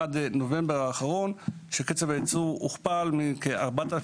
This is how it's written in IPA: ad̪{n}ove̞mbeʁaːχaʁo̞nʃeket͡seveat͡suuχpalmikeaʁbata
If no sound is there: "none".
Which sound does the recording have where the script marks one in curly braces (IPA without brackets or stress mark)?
n